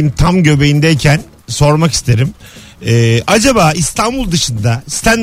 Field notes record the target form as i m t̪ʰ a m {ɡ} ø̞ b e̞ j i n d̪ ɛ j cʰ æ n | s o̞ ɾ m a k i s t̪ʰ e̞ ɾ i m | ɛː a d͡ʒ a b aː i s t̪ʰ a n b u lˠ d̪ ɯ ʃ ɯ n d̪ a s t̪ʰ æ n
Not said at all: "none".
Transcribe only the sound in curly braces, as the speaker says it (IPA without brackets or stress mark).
ɟ